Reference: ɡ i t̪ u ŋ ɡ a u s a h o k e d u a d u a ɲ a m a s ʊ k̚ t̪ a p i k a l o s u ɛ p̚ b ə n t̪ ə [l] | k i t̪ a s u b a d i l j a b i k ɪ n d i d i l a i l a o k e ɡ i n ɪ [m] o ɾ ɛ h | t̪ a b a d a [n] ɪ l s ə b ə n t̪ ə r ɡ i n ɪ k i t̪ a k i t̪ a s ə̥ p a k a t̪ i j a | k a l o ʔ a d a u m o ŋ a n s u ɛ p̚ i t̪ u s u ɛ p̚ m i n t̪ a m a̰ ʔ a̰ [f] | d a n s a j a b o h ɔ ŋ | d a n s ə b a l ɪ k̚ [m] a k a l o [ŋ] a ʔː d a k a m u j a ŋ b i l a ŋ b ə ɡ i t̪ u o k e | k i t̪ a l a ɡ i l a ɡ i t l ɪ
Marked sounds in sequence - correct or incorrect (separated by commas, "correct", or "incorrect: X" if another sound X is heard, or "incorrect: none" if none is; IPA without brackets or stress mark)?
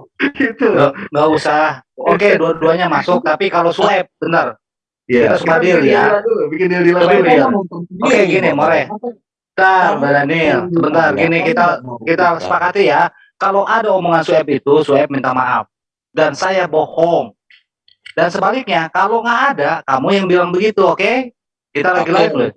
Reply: incorrect: r, correct, correct, correct, incorrect: ɲ, correct